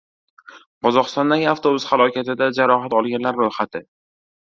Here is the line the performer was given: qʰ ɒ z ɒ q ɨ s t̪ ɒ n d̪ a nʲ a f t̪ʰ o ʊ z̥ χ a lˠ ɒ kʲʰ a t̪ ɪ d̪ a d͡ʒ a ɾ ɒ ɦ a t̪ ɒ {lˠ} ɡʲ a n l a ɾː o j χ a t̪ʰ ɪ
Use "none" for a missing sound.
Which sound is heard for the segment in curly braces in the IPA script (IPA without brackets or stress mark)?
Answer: lˠ